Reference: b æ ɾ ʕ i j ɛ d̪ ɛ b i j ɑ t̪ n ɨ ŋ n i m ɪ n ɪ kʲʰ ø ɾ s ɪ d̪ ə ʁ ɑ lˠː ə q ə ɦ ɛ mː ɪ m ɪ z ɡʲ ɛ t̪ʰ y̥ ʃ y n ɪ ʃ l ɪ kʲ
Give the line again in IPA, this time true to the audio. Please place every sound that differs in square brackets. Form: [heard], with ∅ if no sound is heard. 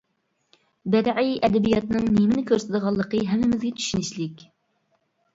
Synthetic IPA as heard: b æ ɾ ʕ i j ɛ d̪ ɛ b i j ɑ t̪ n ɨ ŋ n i m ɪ n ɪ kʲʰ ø ɾ s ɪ d̪ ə ʁ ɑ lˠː ə q ə ɦ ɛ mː ɪ m ɪ z ɡʲ ɛ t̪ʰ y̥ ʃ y n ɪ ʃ l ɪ kʲ

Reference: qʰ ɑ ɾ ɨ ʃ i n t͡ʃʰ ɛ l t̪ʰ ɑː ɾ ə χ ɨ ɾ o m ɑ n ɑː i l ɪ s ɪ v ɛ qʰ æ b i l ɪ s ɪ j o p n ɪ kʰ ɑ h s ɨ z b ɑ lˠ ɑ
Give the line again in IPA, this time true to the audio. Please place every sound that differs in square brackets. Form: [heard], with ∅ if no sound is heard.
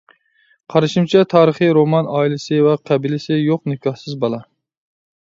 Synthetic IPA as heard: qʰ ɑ ɾ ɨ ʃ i [m] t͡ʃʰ ɛ [∅] t̪ʰ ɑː ɾ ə χ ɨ ɾ o m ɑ n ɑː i l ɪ s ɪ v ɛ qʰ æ b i l ɪ s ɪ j o [q] n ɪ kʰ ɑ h s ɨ z b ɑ lˠ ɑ

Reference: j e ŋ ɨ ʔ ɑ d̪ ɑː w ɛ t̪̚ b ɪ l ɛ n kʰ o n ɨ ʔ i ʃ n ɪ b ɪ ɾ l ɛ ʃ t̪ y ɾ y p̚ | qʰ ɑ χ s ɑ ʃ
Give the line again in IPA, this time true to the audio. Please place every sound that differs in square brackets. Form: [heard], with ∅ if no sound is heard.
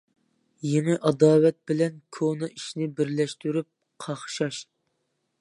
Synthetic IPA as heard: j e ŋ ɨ ʔ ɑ d̪ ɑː w ɛ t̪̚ b ɪ l ɛ n kʰ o n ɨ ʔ i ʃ n ɪ b ɪ ɾ l ɛ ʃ t̪ y ɾ y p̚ | qʰ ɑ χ [ʃ] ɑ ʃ

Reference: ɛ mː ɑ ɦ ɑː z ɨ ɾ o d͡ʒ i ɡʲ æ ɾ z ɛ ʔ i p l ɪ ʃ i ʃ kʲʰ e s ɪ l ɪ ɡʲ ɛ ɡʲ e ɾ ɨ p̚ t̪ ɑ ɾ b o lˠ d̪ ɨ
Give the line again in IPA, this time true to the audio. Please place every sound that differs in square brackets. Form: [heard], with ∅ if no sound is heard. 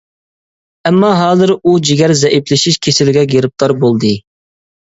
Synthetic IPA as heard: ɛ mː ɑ ɦ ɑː z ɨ ɾ [u] d͡ʒ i ɡʲ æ ɾ z ɛ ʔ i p l ɪ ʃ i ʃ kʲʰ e s ɪ l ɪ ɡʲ ɛ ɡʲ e ɾ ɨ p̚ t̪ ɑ ɾ b o lˠ d̪ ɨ

